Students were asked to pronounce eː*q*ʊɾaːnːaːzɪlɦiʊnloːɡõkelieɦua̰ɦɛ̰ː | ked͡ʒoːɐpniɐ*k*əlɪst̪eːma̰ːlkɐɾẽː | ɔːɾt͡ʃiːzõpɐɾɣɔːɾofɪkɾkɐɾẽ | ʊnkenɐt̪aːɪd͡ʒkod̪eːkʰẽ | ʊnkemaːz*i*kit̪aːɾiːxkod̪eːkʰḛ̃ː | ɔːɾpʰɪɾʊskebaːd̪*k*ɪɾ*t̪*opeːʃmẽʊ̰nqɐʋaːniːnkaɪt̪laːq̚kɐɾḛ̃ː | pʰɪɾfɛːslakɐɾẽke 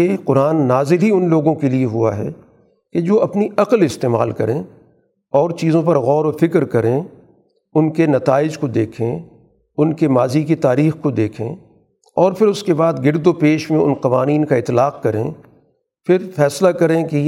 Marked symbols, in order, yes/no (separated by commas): yes, no, yes, no, no